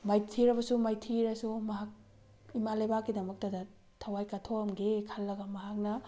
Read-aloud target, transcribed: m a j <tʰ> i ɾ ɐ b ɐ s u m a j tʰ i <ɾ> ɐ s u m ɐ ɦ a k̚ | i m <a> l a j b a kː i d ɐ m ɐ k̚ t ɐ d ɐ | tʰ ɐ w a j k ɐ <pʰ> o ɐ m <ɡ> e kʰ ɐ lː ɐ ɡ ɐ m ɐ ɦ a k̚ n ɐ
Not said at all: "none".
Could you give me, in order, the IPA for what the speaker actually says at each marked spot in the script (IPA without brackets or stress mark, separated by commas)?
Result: tʰ, ɾ, a, tʰ, ɡ